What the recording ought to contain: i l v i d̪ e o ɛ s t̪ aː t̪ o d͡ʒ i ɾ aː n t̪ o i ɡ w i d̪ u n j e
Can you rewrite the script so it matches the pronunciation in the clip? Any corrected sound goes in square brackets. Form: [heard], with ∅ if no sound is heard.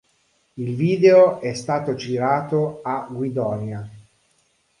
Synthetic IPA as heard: i l v [iː] d̪ e o ɛ s t̪ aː t̪ o d͡ʒ i ɾ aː [∅] t̪ o [a] ɡ w i d̪ [ɔ] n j [a]